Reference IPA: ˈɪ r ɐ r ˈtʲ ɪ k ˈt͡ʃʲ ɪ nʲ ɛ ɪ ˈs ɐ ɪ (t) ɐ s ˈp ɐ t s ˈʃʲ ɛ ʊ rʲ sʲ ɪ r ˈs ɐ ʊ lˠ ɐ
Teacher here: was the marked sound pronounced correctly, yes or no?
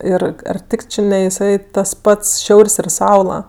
yes